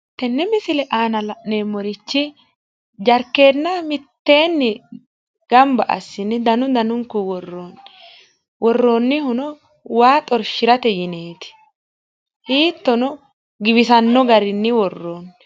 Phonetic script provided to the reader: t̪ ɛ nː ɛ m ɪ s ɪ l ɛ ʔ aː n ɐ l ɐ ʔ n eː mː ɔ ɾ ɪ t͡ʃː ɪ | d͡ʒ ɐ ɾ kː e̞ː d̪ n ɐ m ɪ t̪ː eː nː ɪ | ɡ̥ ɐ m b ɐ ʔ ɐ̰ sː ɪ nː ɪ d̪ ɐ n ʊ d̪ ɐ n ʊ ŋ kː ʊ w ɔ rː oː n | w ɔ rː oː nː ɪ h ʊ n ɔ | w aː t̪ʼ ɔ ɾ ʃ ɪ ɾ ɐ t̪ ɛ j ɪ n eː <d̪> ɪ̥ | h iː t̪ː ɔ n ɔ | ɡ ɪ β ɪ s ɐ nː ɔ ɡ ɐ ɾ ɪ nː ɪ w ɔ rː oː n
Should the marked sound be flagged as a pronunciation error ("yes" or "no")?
yes